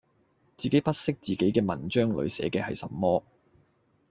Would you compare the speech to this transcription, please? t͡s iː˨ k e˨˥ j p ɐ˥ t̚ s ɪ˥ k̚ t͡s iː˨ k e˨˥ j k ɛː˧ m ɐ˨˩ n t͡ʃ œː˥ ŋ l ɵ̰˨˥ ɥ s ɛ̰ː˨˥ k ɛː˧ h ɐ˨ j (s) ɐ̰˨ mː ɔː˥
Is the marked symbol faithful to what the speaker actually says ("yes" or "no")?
yes